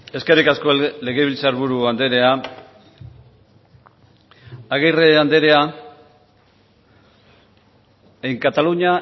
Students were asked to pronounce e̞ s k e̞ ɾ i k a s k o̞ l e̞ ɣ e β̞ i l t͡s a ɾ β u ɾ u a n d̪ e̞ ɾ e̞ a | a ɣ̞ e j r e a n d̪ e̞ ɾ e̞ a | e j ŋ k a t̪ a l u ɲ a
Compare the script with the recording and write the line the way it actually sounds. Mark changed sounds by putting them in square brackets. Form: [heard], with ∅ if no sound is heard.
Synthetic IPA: e̞ s k e̞ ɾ i k a s k o̞ l e̞ ɣ e β̞ i l t͡s a ɾ β u ɾ u a n d̪ e̞ ɾ e̞ a | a ɣ̞ e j r e a n d̪ e̞ ɾ e̞ a | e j ŋ k a t̪ a l u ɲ a